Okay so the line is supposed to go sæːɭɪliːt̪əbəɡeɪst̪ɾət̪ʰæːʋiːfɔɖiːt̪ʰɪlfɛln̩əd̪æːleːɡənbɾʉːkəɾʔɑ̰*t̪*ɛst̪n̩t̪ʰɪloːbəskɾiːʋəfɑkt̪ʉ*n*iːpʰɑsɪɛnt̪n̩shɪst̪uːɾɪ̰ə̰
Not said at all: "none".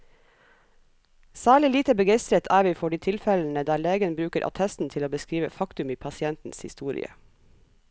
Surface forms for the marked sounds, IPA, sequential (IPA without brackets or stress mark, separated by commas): t̪ʰ, m